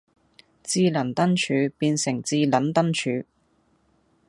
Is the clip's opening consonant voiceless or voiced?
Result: voiceless